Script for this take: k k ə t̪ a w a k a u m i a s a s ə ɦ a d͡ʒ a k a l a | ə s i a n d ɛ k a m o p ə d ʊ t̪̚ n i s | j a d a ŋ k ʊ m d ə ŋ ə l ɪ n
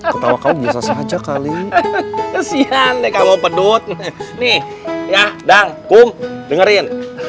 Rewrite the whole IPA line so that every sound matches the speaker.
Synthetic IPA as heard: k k ə t̪ a w a k a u b i a s a s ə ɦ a d͡ʒ a k a l i | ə s i a n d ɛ k a m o p ə d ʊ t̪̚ n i h | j a d a ŋ k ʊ m d ə ŋ ə ɾ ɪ n

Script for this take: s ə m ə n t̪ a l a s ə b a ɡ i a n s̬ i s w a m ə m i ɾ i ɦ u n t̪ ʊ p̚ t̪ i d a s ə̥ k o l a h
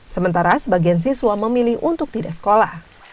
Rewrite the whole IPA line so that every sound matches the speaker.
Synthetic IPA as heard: s ə m ə n t̪ a ɾ a s ə b a ɡ i a n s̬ i s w a m ə m i l i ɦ u n t̪ ʊ k̚ t̪ i d a s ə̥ k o l a h

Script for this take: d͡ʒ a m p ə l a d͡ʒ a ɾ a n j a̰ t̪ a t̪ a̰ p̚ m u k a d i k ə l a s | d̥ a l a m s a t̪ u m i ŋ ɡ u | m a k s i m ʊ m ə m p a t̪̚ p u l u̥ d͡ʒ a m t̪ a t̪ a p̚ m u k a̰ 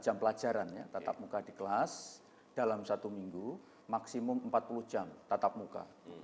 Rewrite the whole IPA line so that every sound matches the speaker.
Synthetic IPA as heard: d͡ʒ a m p ə l a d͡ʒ a ɾ a n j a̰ t̪ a t̪ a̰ p̚ m u k a d i k ə l a s | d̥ a l a m s a t̪ u m i ŋ ɡ u | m a k s i m ʊ m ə m p a t̪̚ p u l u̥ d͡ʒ a m t̪ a t̪ a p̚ m u k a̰

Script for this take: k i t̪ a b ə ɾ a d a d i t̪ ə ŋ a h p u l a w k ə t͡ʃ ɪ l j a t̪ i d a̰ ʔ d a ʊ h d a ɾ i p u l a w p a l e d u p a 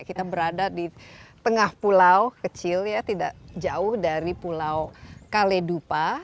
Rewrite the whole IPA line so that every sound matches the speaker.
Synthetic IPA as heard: k i t̪ a b ə ɾ a d a d i t̪ ə ŋ a h p u l a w k ə t͡ʃ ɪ l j a t̪ i d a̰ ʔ d͡ʒ a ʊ h d a ɾ i p u l a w k a l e d u p a

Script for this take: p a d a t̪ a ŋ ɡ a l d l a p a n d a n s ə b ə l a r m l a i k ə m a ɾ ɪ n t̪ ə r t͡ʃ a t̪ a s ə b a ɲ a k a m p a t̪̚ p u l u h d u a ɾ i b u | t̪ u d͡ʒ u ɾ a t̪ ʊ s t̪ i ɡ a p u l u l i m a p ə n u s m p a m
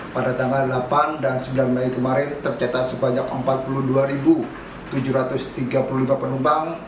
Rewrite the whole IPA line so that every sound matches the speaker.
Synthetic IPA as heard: p a d a t̪ a ŋ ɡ a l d l a p a n d a n s ə b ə l a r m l a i k ə m a ɾ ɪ n t̪ ə r t͡ʃ a t̪ a s ə b a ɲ a k ə m p a t̪̚ p u l u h d u a ɾ i b u | t̪ u d͡ʒ u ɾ a t̪ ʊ s t̪ i ɡ a p u l u l i m a p ə n u m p a ŋ

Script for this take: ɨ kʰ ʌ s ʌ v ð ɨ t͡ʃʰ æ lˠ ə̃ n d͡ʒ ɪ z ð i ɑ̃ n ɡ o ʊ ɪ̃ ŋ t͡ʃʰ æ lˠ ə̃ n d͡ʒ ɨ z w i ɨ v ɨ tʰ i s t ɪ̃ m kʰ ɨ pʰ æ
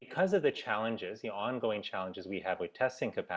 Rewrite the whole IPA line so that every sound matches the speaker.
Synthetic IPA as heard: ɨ kʰ ʌ z ʌ v ð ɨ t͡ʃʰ æ lˠ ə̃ n d͡ʒ ɪ z ð i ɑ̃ n ɡ o ʊ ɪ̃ ŋ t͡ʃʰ æ lˠ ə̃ n d͡ʒ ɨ z w i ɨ v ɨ tʰ ɛ s t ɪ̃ ŋ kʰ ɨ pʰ æ

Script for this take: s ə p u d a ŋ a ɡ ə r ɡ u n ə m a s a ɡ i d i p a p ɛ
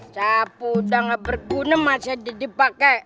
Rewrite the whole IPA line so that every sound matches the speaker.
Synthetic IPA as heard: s a p u d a ŋ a b ə r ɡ u n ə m a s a d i d i p a k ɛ

